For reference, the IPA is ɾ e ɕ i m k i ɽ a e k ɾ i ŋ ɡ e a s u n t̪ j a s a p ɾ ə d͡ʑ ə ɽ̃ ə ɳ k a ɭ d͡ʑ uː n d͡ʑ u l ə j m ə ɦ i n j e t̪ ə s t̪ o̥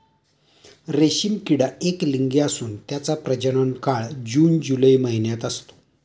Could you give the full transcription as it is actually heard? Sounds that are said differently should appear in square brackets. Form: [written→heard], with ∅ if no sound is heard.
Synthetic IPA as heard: ɾ e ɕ i m k i ɽ a e k [ɾ→l] i ŋ ɡ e a s [u→uː] n t̪ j a [s→t͡s] a p ɾ ə d͡ʑ ə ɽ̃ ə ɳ k a ɭ d͡ʑ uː n d͡ʑ u l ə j m ə ɦ i n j [e→a] t̪ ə s t̪ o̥